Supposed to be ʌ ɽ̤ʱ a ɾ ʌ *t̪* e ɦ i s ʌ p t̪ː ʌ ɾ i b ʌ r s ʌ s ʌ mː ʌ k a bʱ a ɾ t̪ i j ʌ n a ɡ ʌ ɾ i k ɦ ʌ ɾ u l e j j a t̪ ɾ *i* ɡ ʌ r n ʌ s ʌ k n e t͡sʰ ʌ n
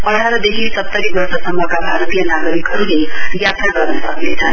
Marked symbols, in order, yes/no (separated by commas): no, no